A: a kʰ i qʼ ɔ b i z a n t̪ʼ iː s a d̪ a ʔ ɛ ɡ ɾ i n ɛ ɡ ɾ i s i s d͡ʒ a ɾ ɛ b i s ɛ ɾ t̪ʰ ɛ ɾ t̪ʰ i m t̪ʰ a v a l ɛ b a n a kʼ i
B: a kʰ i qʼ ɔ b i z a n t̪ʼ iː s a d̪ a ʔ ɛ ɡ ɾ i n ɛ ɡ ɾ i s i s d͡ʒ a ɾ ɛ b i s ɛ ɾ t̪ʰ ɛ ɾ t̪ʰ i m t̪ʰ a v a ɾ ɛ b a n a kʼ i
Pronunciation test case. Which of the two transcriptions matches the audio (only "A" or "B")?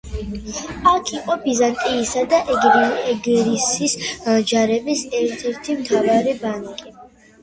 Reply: B